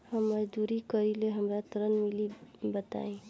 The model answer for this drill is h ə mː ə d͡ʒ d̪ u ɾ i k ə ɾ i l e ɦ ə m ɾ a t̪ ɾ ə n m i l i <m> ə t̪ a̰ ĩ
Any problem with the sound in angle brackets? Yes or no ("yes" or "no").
yes